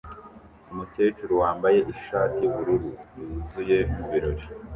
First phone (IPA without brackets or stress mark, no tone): u